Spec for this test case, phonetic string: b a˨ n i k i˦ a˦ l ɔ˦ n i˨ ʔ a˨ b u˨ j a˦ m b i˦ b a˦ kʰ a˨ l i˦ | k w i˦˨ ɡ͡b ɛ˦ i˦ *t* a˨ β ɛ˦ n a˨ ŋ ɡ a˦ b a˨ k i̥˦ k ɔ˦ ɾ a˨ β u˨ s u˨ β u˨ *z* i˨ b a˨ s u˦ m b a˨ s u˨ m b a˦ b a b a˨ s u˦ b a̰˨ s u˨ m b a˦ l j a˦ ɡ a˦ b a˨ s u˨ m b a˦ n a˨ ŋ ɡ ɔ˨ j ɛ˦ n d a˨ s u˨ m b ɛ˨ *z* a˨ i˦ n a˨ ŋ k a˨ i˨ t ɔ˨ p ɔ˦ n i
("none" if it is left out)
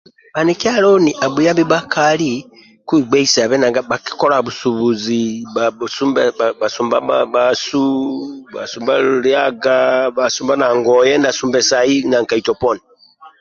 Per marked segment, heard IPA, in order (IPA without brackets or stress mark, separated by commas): s, z, s